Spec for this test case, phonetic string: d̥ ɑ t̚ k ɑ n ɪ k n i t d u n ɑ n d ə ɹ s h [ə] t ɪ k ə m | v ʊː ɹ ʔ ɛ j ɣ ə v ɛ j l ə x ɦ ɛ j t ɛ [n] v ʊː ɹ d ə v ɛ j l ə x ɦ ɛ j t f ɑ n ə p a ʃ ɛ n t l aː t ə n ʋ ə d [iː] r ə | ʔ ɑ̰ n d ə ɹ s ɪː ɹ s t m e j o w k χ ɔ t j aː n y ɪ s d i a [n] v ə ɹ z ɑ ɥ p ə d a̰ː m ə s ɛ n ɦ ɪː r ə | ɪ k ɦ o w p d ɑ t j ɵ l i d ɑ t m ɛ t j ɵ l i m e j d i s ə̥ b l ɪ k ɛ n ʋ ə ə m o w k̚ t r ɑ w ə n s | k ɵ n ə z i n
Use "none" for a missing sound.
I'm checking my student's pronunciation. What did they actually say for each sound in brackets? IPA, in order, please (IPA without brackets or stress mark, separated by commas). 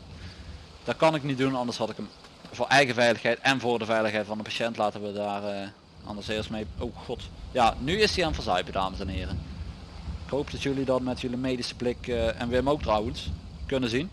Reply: ɑ, n, aː, n